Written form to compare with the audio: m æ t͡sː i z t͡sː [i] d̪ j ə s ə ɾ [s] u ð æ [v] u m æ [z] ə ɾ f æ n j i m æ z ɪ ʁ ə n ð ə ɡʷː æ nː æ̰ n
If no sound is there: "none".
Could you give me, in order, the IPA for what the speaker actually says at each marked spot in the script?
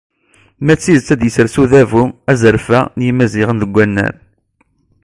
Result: æ, s, v, z

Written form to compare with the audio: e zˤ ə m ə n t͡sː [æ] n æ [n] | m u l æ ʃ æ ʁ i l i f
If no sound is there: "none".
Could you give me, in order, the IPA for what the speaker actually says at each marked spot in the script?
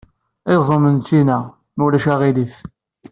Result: i, none

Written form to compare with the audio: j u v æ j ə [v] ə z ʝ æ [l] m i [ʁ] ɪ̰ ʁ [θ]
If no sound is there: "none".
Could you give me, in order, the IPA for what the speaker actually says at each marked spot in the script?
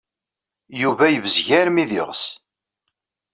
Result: v, ɾ, ð, s

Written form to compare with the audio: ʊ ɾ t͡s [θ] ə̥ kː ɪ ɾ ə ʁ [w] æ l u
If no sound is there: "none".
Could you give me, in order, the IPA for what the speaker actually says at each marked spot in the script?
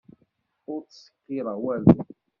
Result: s, w

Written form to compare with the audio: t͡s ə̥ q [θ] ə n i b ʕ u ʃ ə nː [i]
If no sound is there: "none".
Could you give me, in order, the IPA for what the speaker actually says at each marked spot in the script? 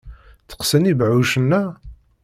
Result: s, æ

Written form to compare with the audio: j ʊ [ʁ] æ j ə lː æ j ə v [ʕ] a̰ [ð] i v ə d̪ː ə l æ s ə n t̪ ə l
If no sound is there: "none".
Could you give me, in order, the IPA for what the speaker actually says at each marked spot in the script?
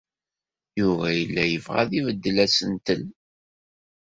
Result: v, ʁ, ð

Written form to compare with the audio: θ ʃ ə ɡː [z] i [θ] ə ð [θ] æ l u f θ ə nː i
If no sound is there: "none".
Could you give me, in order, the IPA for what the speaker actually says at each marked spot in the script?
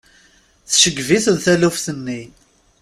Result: v, θ, θ

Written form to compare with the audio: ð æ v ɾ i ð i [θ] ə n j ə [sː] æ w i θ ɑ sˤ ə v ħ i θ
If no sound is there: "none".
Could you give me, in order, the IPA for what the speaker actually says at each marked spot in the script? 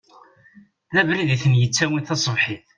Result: θ, t͡sː

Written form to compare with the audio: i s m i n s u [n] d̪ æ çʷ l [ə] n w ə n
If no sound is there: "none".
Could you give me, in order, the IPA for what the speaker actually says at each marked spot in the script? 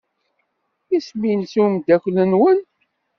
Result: m, ə

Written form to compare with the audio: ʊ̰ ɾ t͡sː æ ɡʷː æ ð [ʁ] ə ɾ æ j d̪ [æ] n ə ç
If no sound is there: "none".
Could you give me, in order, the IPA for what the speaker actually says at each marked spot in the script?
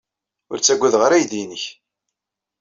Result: ʁ, i

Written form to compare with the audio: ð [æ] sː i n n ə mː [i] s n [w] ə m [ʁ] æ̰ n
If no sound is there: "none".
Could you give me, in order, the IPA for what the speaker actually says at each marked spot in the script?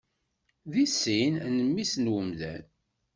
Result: i, i, w, ð

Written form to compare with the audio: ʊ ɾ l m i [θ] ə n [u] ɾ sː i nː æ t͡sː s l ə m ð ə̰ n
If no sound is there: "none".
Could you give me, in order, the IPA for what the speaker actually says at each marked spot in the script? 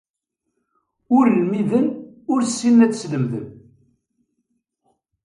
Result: ð, ʊ

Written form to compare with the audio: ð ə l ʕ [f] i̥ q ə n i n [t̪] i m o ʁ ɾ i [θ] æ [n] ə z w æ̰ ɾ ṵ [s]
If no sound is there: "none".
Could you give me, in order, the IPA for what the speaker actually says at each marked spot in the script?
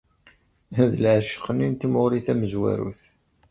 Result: ʃ, t̪, θ, m, θ

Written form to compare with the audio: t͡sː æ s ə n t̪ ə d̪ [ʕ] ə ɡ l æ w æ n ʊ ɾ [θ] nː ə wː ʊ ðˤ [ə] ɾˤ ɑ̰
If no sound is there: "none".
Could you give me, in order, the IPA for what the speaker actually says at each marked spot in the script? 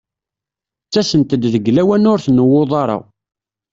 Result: ð, θ, ɑ

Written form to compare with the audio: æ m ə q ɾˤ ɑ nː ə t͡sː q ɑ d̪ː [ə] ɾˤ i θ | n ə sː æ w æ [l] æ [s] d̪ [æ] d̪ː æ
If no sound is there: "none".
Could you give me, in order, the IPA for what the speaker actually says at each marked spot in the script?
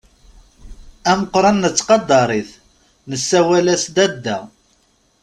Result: ɑ, l, s, æ

